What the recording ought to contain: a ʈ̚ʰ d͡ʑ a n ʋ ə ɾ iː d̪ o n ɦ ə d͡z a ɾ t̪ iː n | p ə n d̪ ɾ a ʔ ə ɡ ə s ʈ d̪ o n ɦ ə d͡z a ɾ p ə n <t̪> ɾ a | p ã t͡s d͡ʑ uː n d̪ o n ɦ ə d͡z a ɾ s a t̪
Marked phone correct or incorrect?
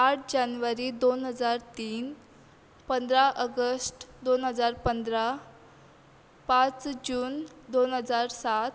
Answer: incorrect